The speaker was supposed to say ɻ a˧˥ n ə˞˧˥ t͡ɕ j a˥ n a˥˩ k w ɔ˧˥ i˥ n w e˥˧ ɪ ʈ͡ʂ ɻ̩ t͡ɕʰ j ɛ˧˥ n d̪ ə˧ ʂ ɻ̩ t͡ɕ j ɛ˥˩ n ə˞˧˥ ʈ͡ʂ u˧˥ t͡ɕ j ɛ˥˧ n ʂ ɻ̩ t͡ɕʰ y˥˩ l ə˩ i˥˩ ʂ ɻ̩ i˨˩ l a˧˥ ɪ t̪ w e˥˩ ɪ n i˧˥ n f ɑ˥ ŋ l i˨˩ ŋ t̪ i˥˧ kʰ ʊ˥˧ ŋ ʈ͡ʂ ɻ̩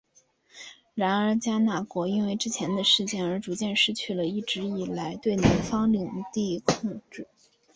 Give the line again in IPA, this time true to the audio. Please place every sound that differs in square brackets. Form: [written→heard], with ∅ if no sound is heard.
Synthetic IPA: ɻ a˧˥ n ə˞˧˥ t͡ɕ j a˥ n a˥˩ k w ɔ˧˥ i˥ n w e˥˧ ɪ ʈ͡ʂ ɻ̩ t͡ɕʰ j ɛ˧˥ n d̪ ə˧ ʂ ɻ̩ t͡ɕ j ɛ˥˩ n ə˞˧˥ ʈ͡ʂ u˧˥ t͡ɕ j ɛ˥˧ n ʂ ɻ̩ t͡ɕʰ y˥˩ l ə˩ i˥˩ [ʂ→ʈ͡ʂ] ɻ̩ i˨˩ l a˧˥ ɪ t̪ w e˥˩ ɪ n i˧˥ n f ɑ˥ ŋ l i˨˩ ŋ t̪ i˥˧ kʰ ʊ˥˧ ŋ ʈ͡ʂ ɻ̩